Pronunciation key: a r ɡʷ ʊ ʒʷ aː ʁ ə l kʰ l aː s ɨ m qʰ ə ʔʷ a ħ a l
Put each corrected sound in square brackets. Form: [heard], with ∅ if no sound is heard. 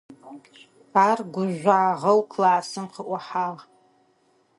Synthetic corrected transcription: a r ɡʷ ʊ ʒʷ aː ʁ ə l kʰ l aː s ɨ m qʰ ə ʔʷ a ħ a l